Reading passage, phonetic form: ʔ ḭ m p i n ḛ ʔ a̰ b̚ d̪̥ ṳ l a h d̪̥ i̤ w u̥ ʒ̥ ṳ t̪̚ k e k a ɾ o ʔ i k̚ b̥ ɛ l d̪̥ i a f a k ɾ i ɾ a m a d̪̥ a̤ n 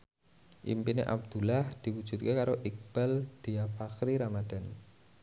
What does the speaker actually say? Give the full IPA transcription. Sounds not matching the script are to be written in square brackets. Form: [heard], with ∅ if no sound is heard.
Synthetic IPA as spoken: ʔ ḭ m p i n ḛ ʔ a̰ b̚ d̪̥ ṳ l a h d̪̥ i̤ w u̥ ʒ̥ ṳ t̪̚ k e k a ɾ o ʔ i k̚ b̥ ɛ l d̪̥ i a f a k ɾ i ɾ a m a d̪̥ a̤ n

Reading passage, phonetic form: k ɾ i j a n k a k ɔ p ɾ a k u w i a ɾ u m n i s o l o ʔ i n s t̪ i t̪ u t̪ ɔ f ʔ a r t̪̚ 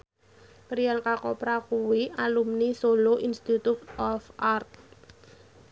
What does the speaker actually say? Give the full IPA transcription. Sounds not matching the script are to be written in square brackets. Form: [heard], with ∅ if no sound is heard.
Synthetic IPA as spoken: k ɾ i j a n k a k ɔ p ɾ a k u w i a [l] u m n i s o l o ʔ i n s t̪ i t̪ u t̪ ɔ f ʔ a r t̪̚

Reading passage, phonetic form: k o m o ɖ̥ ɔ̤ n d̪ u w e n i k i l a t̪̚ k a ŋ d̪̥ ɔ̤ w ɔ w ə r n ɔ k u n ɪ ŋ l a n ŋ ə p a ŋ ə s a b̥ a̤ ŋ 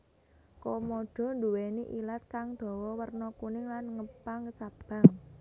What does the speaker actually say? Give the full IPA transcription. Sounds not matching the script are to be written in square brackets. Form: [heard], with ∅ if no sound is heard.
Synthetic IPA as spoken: k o m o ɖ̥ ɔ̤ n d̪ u w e n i [ʔ] i l a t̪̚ k a ŋ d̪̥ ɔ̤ w ɔ w ə r n ɔ k u n ɪ ŋ l a n ŋ ə p a ŋ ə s a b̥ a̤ ŋ

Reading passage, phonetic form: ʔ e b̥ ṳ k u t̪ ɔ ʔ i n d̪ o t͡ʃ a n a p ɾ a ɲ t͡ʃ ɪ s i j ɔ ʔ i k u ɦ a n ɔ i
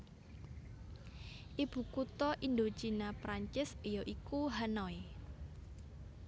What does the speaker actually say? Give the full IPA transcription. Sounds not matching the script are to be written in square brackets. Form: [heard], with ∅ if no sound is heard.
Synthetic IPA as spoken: ʔ [i] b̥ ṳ k u t̪ ɔ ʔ i n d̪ o t͡ʃ [i] n a p ɾ a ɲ t͡ʃ ɪ s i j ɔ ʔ i k u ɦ a n ɔ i

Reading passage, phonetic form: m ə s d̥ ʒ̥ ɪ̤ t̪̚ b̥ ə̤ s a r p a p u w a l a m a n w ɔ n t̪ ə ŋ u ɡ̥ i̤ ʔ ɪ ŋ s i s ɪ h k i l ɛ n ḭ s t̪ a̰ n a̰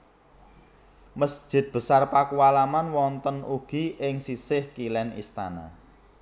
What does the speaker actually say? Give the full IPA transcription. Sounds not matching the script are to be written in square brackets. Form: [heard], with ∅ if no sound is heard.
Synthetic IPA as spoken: m ə s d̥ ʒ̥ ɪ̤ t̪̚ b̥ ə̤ s a r p a [k] u w a l a m a n w ɔ n t̪ ə [n] u ɡ̥ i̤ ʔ ɪ ŋ s i s ɪ h k i l ɛ n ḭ s t̪ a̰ n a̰

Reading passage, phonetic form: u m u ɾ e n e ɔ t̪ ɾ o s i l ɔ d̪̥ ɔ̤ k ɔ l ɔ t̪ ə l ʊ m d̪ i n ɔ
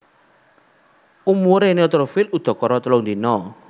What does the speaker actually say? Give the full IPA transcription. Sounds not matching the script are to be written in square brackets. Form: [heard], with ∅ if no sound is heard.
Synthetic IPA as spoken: u m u ɾ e n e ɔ t̪ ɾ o [f] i l [u] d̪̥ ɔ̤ k ɔ [ɾ] ɔ t̪ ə l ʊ [ŋ] d̪ i n ɔ

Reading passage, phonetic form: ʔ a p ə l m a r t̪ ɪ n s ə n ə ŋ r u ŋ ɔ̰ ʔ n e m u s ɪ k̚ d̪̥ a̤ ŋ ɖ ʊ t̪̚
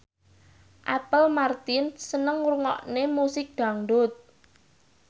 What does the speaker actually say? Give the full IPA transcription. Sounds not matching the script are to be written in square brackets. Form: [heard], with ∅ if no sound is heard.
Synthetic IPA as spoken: ʔ a p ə l m a r t̪ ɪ n s ə n ə ŋ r u ŋ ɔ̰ ʔ n e m u s ɪ k̚ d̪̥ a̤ ŋ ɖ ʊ t̪̚

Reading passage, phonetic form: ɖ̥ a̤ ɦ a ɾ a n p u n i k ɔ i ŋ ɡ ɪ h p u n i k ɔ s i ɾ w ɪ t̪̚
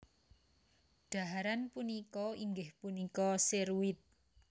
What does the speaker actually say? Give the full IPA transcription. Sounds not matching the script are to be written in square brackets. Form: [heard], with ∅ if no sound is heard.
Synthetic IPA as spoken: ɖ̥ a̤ ɦ a ɾ a n p u n i k ɔ i ŋ ɡ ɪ h p u n i k ɔ s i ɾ w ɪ t̪̚

